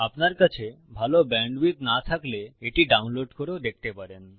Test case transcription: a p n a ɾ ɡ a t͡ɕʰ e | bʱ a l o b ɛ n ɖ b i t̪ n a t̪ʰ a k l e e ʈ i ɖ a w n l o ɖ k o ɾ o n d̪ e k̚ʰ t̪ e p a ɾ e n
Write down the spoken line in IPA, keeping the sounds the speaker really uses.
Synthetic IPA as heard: a p n a ɾ k a t͡ɕʰ e | bʱ a l o b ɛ ɳ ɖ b i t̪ n a t̪ʰ a k l e e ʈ i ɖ a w n l o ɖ k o ɾ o d̪ e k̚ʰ t̪ e p a ɾ e n